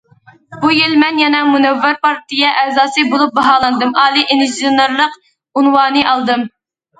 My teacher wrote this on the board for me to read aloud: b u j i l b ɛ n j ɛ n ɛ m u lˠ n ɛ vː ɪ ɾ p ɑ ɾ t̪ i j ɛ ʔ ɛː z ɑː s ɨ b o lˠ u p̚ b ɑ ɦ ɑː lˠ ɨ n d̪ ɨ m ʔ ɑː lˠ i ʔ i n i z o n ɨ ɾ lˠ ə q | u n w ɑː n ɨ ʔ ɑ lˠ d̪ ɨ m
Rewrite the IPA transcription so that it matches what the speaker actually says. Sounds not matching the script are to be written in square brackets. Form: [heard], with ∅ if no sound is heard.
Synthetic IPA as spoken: b u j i l [m] ɛ n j ɛ n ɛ m u [∅] n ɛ vː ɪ ɾ p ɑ ɾ t̪ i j ɛ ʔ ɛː z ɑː s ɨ b o lˠ u p̚ b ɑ ɦ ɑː lˠ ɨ n d̪ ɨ m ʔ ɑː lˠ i ʔ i n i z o n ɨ ɾ lˠ ə q | u n w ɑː n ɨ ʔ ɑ lˠ d̪ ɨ m